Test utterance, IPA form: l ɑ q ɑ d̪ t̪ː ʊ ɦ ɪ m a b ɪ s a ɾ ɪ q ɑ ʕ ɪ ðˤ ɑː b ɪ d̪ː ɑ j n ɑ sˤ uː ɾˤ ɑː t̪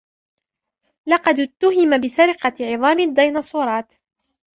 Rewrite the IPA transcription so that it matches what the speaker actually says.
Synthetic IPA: l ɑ q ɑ d̪ t̪ː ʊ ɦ ɪ m a b ɪ s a ɾ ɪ q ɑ ʕ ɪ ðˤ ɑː m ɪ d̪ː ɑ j n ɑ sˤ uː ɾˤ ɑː t̪